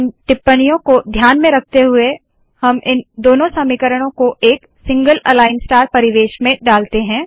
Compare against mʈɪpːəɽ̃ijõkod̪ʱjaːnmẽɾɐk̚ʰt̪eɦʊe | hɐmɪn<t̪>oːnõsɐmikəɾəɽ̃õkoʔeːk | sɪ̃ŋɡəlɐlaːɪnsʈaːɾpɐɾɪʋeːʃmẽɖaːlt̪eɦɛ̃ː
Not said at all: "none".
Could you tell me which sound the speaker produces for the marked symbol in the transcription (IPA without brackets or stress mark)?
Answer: d̪